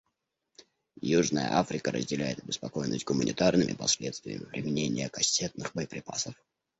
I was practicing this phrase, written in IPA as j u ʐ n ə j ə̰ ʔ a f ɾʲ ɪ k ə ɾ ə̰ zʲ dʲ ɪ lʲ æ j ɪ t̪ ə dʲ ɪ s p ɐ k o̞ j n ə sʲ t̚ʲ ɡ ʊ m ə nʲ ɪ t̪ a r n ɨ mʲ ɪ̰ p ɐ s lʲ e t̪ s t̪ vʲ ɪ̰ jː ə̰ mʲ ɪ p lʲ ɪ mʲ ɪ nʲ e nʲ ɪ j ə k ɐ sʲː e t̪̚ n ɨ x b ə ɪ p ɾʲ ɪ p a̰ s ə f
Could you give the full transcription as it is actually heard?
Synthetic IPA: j u ʐ n ə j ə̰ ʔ a f ɾʲ ɪ k ə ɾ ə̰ zʲ dʲ ɪ lʲ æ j ɪ t̪ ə bʲ ɪ s p ɐ k o̞ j n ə sʲ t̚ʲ ɡ ʊ m ə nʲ ɪ t̪ a r n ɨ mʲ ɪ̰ p ɐ s lʲ e t̪ s t̪ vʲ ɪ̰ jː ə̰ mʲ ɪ p ɾʲ ɪ mʲ ɪ nʲ e nʲ ɪ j ə k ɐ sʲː e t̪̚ n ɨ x b ə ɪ p ɾʲ ɪ p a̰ s ə f